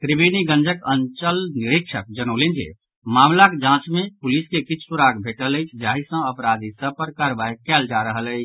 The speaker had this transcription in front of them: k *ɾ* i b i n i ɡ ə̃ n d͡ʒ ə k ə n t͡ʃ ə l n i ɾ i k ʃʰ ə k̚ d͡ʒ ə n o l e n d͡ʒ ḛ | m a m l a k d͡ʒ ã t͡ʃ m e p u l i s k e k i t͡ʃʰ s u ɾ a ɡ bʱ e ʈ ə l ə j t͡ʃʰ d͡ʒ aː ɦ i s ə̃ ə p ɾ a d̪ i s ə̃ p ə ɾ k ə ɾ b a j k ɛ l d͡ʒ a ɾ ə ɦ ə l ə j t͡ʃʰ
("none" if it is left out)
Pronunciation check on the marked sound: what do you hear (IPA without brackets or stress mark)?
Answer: ɾ